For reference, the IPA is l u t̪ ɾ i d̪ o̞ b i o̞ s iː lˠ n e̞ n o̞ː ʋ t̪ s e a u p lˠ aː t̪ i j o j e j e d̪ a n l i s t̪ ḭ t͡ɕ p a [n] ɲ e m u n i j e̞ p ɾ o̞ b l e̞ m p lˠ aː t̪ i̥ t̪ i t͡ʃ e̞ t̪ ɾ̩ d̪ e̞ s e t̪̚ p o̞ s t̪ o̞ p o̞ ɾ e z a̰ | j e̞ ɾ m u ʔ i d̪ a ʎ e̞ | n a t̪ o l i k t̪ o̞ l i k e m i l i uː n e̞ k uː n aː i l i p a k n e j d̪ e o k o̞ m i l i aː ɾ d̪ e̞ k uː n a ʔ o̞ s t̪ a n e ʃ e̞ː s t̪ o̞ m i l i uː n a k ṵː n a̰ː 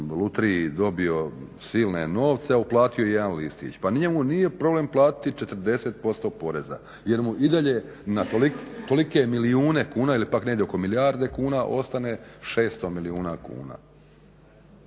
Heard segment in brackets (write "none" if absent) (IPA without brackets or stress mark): n